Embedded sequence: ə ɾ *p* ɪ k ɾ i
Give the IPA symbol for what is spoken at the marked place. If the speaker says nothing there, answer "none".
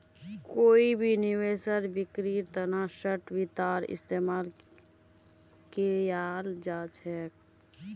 b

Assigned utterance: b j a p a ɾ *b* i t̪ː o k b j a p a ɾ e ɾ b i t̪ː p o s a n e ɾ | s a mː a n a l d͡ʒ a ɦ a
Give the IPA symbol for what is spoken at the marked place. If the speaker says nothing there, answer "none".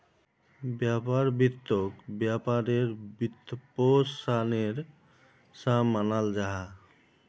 b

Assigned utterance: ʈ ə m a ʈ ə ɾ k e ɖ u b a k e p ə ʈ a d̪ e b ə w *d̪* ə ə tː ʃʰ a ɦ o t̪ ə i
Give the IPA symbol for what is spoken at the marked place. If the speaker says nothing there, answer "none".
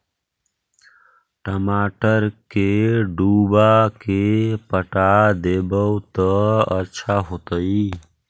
t̪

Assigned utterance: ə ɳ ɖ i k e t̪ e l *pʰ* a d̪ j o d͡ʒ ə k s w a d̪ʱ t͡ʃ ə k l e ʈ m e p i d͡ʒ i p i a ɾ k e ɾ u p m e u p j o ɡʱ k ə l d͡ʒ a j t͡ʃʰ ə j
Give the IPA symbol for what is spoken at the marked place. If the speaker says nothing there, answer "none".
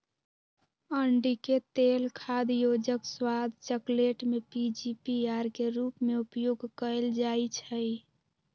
kʰ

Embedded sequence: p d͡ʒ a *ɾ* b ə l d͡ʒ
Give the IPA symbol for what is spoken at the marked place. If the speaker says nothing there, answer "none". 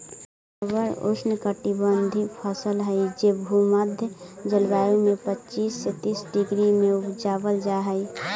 none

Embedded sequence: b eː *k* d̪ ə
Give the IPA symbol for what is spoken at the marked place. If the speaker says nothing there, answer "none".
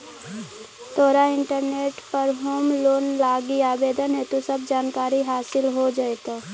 none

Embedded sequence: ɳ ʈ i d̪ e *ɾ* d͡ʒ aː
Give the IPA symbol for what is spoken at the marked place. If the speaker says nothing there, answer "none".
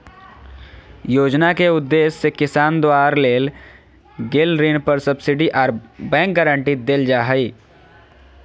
l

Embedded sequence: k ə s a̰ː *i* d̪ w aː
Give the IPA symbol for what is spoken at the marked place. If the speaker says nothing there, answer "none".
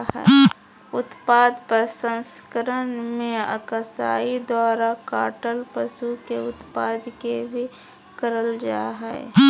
i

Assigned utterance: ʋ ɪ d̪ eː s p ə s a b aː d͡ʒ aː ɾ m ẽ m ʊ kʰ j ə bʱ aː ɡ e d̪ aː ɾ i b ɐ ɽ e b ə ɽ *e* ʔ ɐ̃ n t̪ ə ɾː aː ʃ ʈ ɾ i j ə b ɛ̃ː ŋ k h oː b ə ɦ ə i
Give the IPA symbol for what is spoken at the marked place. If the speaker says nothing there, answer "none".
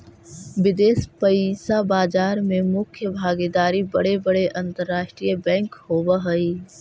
e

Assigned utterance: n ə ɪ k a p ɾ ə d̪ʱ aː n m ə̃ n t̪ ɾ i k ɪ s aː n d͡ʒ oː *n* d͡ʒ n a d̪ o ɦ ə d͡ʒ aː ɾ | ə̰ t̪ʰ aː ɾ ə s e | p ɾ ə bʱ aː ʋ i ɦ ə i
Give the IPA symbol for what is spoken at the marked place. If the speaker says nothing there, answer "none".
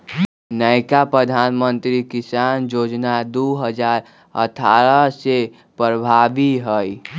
none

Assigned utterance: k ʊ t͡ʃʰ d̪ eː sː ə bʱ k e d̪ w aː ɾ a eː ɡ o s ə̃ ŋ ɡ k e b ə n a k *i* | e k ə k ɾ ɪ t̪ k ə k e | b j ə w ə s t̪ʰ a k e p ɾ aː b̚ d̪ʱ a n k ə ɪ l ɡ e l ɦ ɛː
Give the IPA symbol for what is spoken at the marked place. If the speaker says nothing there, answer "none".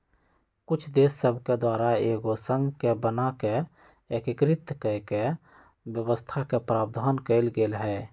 e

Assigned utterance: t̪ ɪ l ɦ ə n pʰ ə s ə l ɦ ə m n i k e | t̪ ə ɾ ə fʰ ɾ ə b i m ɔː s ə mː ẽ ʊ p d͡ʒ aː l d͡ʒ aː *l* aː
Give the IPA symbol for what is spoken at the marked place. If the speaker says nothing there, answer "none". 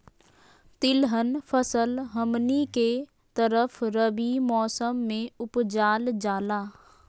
l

